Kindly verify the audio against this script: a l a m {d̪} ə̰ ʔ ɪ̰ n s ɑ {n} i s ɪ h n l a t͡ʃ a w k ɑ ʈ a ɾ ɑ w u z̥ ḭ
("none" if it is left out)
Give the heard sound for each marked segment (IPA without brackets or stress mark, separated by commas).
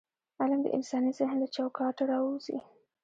d̪, n